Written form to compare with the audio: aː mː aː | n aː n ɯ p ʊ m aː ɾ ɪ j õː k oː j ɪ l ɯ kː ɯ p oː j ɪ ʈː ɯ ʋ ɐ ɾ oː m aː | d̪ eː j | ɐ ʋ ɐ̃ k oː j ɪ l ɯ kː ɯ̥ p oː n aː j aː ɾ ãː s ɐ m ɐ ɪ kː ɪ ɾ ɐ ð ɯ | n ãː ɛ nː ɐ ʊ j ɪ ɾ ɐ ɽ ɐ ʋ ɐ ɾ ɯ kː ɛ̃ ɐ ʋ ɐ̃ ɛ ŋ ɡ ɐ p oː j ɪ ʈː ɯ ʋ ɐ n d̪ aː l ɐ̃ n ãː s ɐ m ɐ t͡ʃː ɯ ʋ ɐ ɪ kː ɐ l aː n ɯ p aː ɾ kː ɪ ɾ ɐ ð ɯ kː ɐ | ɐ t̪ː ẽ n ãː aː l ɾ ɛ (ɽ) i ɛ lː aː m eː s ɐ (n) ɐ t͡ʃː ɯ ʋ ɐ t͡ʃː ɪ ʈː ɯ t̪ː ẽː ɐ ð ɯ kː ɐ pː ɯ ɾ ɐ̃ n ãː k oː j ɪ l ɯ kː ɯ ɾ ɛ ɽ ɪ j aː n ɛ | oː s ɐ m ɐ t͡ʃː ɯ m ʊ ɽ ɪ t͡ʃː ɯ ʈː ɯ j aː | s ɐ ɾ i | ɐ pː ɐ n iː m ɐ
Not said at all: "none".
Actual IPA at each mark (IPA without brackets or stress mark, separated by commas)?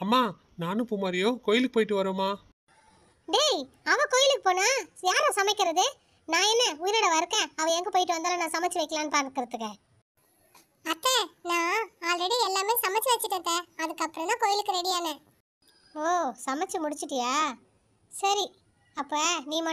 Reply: ɽ, m